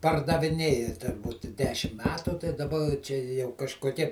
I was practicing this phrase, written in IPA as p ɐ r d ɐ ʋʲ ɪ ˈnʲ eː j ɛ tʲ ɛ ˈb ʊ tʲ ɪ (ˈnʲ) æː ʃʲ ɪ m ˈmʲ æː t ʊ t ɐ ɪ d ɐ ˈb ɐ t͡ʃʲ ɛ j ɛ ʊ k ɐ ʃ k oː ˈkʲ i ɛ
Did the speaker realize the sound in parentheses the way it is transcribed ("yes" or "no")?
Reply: no